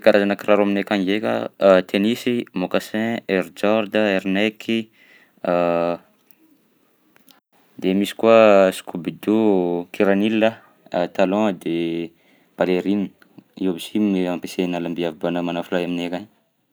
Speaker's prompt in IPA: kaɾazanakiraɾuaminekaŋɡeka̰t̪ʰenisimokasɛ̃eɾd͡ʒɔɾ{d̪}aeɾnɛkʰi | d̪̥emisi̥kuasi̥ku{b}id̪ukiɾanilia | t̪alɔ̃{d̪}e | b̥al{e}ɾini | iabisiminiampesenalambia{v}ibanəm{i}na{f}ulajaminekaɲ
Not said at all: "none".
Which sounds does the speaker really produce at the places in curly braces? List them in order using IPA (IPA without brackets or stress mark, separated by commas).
d̪, b, d̪, e, v, a, f